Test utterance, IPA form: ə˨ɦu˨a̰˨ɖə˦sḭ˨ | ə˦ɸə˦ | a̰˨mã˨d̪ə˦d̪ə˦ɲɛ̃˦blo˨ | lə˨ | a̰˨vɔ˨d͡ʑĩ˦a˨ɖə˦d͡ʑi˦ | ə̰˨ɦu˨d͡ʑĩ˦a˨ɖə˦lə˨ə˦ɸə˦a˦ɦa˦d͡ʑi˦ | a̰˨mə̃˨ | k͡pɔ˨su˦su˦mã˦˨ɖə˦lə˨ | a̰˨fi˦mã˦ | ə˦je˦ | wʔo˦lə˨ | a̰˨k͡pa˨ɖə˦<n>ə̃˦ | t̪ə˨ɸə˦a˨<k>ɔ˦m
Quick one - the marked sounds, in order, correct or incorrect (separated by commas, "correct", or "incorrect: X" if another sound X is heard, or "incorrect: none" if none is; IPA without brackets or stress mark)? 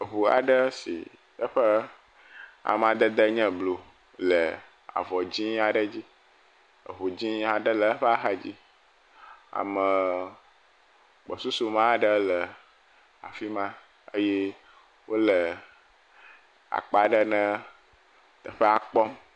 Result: correct, incorrect: k͡p